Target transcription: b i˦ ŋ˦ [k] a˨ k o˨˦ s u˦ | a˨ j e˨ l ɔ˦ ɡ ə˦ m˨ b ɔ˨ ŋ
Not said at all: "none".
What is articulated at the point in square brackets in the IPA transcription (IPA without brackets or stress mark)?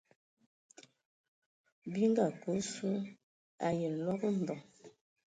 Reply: ɡ